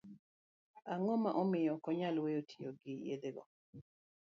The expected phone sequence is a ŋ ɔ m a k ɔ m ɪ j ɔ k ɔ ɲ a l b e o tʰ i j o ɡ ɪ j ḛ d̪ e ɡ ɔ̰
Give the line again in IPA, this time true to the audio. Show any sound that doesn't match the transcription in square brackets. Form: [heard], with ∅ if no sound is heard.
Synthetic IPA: a ŋ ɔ m a [ʔ] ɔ m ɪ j ɔ k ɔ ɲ a l [w] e o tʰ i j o ɡ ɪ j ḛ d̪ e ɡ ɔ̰